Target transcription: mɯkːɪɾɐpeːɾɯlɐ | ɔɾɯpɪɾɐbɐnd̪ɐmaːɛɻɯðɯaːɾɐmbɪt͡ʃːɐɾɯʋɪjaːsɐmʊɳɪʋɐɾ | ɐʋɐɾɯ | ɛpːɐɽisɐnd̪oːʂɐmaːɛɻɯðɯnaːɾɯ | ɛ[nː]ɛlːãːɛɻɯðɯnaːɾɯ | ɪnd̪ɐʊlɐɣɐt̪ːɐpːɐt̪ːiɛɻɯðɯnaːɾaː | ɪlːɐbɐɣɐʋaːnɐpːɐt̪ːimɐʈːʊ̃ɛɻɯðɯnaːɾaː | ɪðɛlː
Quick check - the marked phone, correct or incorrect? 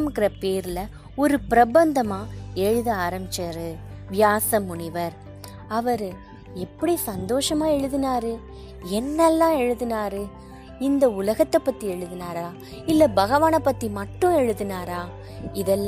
correct